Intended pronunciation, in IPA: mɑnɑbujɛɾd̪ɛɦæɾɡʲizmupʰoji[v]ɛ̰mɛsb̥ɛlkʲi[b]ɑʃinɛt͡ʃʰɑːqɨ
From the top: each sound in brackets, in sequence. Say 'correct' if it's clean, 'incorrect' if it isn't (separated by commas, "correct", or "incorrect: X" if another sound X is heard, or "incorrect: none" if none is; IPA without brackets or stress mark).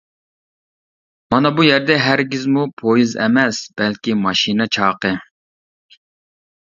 incorrect: z, incorrect: m